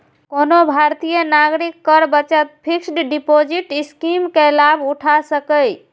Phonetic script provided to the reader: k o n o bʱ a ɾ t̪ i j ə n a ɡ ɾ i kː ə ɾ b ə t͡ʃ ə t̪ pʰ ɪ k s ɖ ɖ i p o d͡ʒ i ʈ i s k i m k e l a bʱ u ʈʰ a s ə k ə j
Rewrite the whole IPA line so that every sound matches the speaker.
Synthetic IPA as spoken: k o n o bʱ a ɾ t̪ i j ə n a ɡ ɾ i kː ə ɾ b ə t͡ʃ ə t̪ pʰ i k s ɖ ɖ i p o d͡ʒ i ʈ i s k i m k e l a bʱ u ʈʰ a s ə k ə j

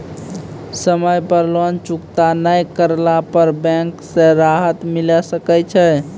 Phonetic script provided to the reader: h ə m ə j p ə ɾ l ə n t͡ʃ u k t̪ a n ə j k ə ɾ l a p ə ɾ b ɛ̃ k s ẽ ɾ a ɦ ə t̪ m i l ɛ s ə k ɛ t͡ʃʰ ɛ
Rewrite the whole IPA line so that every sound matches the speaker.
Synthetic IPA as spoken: s ə m ə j p ə ɾ l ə n t͡ʃ u k t̪ a n ə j k ə ɾ l a p ə ɾ b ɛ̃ k s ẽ ɾ a ɦ ə t̪ m i l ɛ s ə k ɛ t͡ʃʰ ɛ

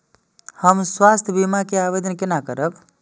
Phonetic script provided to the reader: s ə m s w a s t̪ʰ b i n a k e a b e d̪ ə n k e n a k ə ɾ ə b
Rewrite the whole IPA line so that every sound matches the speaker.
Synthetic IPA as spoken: h ə m s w a s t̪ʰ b i m a k e a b e d̪ ə n k e n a k ə ɾ ə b

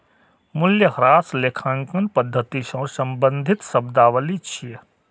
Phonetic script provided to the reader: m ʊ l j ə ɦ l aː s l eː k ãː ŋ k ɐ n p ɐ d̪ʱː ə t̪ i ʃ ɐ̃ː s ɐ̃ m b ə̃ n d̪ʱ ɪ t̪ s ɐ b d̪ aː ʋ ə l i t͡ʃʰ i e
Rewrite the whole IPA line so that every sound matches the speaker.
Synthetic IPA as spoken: m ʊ l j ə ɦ ɾ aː s l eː kʰ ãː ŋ k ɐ n p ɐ d̪ʱː ə t̪ i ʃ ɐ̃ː s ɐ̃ m b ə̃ n d̪ʱ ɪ t̪ s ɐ b d̪ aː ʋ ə l i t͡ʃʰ i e

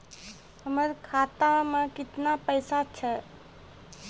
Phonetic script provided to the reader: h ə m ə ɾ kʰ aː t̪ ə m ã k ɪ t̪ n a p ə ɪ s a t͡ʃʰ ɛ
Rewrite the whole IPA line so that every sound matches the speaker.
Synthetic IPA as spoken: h ə m ə ɾ kʰ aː t̪ a m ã k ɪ t̪ n a p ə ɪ s a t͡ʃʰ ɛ

